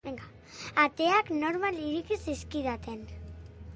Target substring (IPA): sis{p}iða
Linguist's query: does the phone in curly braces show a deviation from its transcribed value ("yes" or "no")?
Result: yes